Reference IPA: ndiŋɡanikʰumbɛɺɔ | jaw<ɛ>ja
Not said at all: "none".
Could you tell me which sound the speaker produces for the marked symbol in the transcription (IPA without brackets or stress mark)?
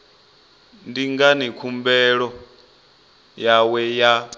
ɛ